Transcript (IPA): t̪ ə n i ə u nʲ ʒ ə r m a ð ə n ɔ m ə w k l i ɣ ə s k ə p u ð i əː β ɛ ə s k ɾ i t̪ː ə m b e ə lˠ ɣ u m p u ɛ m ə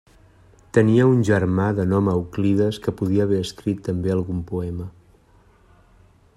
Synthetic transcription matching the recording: t̪ ə n i ə u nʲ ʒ ə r m a ð ə n ɔ m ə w k l i ð ə s k ə p u ð i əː β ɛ ə s k ɾ i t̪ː ə m b e ə lˠ ɣ u m p u ɛ m ə